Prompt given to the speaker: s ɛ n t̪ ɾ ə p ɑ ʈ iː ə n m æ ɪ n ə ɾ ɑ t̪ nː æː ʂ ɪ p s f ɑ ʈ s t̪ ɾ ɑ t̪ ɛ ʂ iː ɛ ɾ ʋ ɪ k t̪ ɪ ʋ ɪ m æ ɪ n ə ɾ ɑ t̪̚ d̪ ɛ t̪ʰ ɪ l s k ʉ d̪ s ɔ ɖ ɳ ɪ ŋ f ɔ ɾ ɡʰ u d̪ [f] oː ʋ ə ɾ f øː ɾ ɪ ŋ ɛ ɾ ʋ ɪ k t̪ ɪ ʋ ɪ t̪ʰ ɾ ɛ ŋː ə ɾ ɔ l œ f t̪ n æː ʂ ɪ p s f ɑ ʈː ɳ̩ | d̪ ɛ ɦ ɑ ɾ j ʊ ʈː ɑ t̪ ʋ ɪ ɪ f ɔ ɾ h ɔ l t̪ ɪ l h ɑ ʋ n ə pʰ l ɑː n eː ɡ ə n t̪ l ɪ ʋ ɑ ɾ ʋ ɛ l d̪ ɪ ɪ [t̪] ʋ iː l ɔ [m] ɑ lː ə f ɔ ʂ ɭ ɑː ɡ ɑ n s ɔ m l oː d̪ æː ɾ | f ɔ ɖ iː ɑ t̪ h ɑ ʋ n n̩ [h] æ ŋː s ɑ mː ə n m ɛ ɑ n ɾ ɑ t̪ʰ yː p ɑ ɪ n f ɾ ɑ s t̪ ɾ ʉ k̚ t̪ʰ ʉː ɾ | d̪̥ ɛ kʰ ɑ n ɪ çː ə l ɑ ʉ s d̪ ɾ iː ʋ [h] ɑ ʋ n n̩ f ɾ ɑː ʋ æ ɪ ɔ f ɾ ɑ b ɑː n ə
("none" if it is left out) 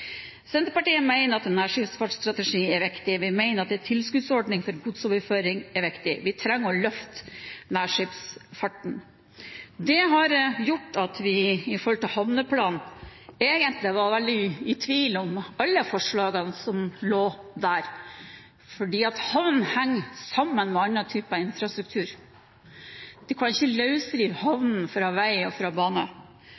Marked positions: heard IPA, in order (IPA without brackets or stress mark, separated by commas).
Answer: s, t̪ʰ, m, h, h